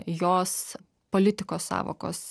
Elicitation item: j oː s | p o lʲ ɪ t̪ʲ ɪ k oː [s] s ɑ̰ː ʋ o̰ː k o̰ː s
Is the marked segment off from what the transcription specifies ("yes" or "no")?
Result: no